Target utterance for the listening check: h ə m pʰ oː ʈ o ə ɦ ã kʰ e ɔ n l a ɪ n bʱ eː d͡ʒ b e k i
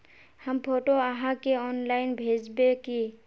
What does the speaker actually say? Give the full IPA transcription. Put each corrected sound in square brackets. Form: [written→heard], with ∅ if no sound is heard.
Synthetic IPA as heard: h ə m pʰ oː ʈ o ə ɦ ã [kʰ→k] e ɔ n l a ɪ n bʱ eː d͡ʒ b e k i